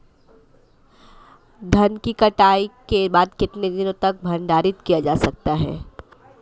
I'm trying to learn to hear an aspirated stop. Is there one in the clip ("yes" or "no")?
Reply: no